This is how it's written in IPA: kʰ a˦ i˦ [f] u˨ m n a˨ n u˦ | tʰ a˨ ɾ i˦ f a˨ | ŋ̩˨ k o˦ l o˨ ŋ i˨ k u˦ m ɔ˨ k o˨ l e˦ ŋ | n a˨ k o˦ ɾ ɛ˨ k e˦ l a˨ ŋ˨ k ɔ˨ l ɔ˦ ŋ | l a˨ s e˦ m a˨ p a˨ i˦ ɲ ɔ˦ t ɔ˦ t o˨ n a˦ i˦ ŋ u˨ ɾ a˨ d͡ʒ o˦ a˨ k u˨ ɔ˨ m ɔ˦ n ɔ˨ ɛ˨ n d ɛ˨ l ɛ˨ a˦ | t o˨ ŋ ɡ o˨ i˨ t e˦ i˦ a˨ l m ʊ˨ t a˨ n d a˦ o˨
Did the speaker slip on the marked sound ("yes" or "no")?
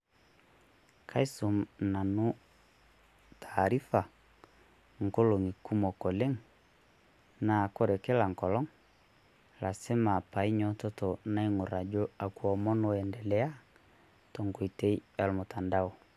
yes